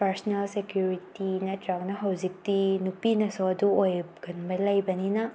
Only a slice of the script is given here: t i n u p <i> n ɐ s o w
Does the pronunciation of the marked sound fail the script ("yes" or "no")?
no